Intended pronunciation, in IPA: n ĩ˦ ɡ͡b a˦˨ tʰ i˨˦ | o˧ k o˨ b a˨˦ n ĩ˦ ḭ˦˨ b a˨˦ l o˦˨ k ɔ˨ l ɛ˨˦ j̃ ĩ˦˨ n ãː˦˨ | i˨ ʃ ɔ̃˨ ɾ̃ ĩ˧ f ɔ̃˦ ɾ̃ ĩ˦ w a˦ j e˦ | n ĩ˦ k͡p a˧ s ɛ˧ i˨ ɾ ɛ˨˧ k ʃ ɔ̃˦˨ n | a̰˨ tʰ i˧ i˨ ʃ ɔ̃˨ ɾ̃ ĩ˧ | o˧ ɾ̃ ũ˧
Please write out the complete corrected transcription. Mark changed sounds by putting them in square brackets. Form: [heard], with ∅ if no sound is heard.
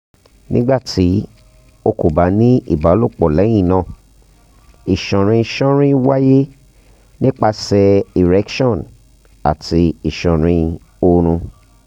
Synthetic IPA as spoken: n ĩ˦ ɡ͡b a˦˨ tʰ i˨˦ | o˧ k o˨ b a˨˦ n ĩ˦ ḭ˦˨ b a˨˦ l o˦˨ [k͡p] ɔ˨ l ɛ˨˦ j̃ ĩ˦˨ n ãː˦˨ | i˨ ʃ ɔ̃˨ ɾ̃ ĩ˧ [ʃ] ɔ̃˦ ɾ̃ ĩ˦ w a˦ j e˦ | n ĩ˦ k͡p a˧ s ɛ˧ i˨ ɾ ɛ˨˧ k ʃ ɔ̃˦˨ n | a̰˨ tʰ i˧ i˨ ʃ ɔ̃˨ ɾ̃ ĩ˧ | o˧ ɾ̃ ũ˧